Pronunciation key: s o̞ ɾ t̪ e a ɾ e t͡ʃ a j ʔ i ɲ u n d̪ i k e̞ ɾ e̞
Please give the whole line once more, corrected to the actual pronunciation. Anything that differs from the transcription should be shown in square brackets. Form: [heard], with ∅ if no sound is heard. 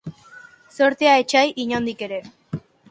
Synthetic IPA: s o̞ ɾ t̪ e a [∅] e t͡ʃ a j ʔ i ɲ [o] n d̪ i k e̞ ɾ e̞

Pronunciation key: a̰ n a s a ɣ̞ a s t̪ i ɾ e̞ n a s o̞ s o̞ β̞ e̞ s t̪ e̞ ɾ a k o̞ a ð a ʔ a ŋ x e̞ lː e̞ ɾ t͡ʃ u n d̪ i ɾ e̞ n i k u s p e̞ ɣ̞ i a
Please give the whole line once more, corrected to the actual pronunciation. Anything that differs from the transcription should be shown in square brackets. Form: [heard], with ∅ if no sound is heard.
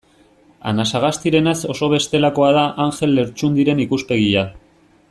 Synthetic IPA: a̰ n a s a ɣ̞ a s t̪ i ɾ e̞ n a s o̞ s o̞ β̞ e̞ s t̪ e̞ [l] a k o̞ a ð a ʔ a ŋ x e̞ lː e̞ ɾ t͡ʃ u n d̪ i ɾ e̞ n i k u s p e̞ ɣ̞ i a

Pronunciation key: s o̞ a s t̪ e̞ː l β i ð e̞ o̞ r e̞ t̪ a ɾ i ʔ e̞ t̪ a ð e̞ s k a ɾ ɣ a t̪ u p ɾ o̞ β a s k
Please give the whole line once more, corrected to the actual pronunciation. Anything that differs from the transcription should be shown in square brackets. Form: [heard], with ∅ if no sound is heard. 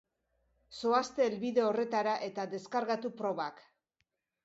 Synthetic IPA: s o̞ a s t̪ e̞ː l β i ð e̞ o̞ r e̞ t̪ a ɾ [a] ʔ e̞ t̪ a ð e̞ s k a ɾ ɣ a t̪ u p ɾ o̞ β a [∅] k

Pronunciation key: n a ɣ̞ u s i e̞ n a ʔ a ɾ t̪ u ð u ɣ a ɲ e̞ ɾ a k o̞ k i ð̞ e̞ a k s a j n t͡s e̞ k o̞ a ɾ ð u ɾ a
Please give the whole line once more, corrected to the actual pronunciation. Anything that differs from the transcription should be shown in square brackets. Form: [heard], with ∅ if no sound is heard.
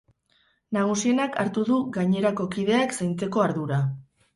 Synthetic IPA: n a ɣ̞ u s i e̞ n a [k] a ɾ t̪ u ð u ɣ a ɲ e̞ ɾ a k o̞ k i ð̞ e̞ a k s a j n t͡s e̞ k o̞ a ɾ ð u ɾ a

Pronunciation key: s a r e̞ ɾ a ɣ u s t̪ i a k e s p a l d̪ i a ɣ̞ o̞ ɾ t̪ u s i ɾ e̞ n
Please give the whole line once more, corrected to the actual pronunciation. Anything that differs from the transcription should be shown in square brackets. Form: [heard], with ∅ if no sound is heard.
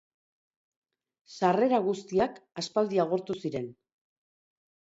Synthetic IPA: s a r e̞ ɾ a ɣ u s t̪ i a k [a] s p a l d̪ i a ɣ̞ o̞ ɾ t̪ u s i ɾ e̞ n

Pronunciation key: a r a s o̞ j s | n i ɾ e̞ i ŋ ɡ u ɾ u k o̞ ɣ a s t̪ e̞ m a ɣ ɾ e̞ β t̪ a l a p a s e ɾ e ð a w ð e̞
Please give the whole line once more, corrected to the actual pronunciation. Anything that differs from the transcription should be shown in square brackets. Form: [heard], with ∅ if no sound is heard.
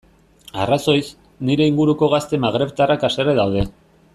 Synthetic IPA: a r a s o̞ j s | n i ɾ e̞ i ŋ ɡ u ɾ u k o̞ ɣ a s t̪ e̞ m a ɣ ɾ e̞ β t̪ a [r] a [k] a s e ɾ e ð a w ð e̞

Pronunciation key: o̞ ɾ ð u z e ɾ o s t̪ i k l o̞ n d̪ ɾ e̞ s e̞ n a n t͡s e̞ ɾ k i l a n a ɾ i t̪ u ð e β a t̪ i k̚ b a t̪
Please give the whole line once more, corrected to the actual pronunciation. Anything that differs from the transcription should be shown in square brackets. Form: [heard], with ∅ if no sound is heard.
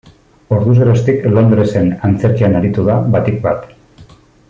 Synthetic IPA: o̞ ɾ ð u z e ɾ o s t̪ i k l o̞ n d̪ ɾ e̞ s e̞ n a n t͡s e̞ ɾ k i [∅] a n a ɾ i t̪ u ð [a] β a t̪ i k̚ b a t̪

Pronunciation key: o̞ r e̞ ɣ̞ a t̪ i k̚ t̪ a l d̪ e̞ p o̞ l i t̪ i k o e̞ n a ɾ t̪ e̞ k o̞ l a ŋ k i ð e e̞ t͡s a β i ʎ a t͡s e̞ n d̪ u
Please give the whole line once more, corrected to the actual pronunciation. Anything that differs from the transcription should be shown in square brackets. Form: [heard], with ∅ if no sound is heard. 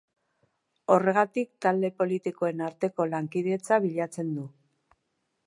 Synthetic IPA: o̞ r e̞ ɣ̞ a t̪ i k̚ t̪ a l d̪ e̞ p o̞ l i t̪ i k o e̞ n a ɾ t̪ e̞ k o̞ l a ŋ k i ð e e̞ t͡s a β i ʎ a t͡s e̞ n d̪ u

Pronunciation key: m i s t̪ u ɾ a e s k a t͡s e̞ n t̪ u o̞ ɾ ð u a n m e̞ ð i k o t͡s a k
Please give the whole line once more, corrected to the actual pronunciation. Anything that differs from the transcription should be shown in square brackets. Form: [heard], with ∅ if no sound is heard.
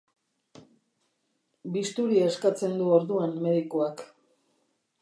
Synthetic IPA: [b] i s t̪ u ɾ [i] e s k a t͡s e̞ n [d̪] u o̞ ɾ ð u a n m e̞ ð i k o [∅] a k

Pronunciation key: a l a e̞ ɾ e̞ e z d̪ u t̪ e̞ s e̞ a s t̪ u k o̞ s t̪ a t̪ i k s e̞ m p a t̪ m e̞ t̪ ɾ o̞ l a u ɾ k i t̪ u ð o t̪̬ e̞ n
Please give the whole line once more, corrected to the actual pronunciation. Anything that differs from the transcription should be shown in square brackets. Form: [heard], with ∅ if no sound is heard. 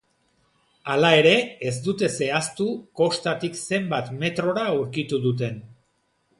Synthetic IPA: a l a e̞ ɾ e̞ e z d̪ u t̪ e̞ s e̞ a s t̪ u k o̞ s t̪ a t̪ i k s e̞ m [b] a t̪ m e̞ t̪ ɾ o̞ [ɾ] a u ɾ k i t̪ u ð [u] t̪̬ e̞ n

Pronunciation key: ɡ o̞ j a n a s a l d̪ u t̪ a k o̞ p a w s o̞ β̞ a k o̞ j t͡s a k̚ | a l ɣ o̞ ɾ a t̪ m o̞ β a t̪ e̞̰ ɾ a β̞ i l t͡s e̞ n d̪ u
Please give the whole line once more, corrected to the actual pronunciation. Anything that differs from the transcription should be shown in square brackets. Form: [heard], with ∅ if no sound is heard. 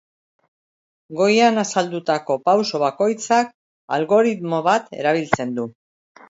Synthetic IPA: ɡ o̞ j a n a s a l d̪ u t̪ a k o̞ p a w s o̞ β̞ a k o̞ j t͡s a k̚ | a l ɣ o̞ ɾ [i] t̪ m o̞ β a t̪ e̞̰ ɾ a β̞ i l t͡s e̞ n d̪ u

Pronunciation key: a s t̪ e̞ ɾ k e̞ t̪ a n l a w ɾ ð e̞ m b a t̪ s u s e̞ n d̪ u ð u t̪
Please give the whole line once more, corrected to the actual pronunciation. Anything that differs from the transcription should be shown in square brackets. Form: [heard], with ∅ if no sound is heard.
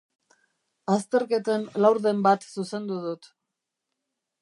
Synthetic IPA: a s t̪ e̞ ɾ k e̞ t̪ [e] n l a w ɾ ð e̞ m b a t̪ s u s e̞ n d̪ u ð u t̪

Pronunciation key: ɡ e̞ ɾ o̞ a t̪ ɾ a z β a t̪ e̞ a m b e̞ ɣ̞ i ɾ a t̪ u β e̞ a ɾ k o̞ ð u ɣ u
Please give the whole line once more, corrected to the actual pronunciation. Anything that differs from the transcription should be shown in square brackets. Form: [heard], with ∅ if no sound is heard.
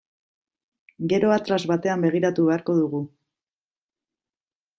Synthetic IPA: ɡ e̞ ɾ o̞ a t̪ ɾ a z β a t̪ e̞ a m b e̞ ɣ̞ i ɾ a t̪ u β e̞ a ɾ k o̞ ð u ɣ u

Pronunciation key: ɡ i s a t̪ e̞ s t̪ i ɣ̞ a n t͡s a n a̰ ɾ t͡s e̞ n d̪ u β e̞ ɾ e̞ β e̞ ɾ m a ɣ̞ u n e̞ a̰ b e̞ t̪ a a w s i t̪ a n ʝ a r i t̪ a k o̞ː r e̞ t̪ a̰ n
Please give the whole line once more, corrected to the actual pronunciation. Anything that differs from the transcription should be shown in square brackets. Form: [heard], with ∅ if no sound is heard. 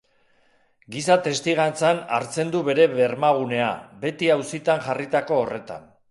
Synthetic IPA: ɡ i s a t̪ e̞ s t̪ i ɣ̞ a n t͡s a n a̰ ɾ t͡s e̞ n d̪ u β e̞ ɾ e̞ β e̞ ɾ m a ɣ̞ u n e̞ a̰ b e̞ t̪ [i] a w s i t̪ a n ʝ a r i t̪ a k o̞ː r e̞ t̪ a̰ n

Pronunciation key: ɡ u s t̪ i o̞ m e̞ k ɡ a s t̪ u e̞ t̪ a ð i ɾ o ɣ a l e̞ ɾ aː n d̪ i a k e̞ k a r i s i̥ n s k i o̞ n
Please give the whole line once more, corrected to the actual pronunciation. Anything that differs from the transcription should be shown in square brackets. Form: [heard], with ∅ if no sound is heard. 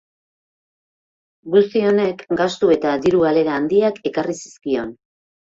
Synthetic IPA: ɡ u s t̪ i o̞ [n] e̞ k ɡ a s t̪ u e̞ t̪ a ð i ɾ [u] ɣ a l e̞ ɾ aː n d̪ i a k e̞ k a r i s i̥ [∅] s k i o̞ n

